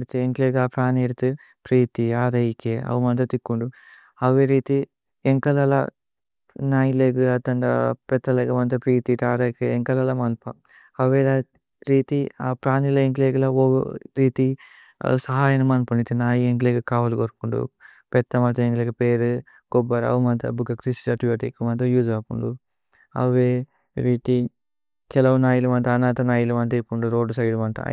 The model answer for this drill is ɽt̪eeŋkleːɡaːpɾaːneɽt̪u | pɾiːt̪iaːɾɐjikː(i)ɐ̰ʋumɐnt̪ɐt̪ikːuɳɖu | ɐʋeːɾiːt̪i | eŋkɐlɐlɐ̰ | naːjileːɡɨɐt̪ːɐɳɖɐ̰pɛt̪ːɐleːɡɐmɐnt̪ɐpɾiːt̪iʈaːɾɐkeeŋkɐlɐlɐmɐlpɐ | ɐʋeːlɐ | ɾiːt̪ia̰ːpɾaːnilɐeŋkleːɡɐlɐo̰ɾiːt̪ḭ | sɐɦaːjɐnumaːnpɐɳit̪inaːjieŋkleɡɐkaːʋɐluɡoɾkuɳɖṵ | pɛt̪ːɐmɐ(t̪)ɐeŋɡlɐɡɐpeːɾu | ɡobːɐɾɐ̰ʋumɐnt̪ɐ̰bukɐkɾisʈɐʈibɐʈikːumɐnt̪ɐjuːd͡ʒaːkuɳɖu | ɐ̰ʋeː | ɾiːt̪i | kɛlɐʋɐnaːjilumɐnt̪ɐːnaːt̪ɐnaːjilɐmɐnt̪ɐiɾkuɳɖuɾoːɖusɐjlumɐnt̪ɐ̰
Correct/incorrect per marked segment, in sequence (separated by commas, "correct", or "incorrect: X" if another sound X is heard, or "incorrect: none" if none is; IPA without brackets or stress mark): incorrect: e, correct